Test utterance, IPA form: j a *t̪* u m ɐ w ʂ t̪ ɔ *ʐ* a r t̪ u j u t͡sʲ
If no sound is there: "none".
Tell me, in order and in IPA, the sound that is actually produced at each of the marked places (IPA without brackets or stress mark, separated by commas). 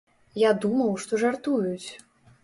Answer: d̪, ʐ